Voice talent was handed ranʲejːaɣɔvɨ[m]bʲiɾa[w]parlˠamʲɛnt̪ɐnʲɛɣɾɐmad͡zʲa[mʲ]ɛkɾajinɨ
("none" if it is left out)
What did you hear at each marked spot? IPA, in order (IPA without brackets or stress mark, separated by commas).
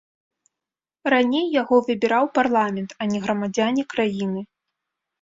none, w, nʲ